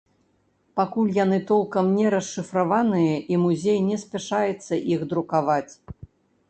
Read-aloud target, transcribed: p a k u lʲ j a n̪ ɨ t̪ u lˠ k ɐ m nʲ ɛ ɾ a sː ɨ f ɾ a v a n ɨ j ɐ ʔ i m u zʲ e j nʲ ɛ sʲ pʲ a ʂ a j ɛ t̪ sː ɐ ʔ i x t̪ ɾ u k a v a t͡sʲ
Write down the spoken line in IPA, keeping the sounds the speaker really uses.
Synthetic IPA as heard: p a k u lʲ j a n̪ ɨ t̪ ɔ lˠ k ɐ m nʲ ɛ ɾ ɐ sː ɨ f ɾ a v a n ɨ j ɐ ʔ i m u zʲ e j nʲ ɛ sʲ pʲ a ʂ a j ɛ t̪ sː ɐ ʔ i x d̪ ɾ u k a v a t͡sʲ